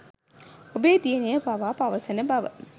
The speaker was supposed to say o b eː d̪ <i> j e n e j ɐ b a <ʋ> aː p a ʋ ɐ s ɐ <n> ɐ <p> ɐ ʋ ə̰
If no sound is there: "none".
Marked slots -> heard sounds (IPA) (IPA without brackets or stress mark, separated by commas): i, ʋ, n, b